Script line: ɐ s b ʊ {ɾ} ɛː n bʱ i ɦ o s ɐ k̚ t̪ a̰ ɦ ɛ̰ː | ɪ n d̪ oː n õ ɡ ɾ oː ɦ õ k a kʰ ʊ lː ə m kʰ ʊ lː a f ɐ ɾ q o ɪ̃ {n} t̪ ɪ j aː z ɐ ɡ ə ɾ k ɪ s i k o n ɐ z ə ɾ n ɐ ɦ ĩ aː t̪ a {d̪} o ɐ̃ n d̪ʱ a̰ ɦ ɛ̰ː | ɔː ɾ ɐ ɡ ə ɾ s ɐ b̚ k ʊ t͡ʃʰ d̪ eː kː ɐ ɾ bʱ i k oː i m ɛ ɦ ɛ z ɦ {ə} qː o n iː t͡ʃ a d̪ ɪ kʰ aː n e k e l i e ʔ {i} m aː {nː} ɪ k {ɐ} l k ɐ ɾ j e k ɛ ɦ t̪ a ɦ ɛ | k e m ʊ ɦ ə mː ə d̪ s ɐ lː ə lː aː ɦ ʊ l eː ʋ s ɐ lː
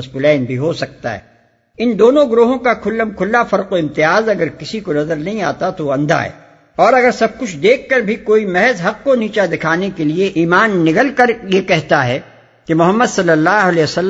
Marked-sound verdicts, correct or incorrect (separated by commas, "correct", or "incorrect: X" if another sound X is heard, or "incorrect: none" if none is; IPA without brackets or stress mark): incorrect: l, incorrect: m, incorrect: t̪, incorrect: ɐ, incorrect: iː, correct, incorrect: ə